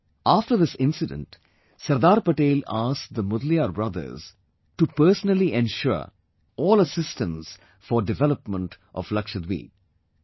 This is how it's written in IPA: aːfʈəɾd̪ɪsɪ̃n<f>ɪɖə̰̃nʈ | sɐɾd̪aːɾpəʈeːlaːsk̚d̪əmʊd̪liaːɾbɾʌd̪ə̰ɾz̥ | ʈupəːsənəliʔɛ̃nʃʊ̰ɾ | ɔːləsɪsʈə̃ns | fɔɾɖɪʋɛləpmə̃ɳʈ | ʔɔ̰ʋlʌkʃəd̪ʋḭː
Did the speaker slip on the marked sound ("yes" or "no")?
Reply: yes